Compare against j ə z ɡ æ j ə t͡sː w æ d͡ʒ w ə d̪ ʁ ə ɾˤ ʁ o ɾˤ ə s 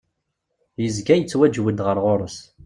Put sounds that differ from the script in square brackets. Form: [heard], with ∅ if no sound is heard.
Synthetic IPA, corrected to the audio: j ə z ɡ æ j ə t͡sː w æ d͡ʒ w ə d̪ ʁ ə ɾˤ ʁ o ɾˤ ə s